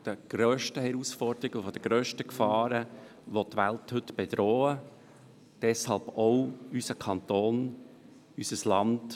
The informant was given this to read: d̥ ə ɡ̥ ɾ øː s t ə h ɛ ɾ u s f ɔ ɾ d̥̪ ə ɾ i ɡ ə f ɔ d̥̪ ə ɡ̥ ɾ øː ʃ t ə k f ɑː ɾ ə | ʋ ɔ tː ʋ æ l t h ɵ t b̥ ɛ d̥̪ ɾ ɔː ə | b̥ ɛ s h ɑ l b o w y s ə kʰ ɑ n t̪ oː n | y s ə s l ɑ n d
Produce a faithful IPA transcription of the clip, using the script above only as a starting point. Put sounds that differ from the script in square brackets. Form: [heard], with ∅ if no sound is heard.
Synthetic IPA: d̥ ə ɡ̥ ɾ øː [ʃ] t ə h ɛ ɾ u s f ɔ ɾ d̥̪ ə ɾ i ɡ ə f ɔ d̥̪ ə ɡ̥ ɾ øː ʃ t ə k f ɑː ɾ ə | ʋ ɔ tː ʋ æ l t h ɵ t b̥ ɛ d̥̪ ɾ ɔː ə | [d̥] ɛ s h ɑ l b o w y s ə kʰ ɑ n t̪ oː n | y s ə s l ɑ n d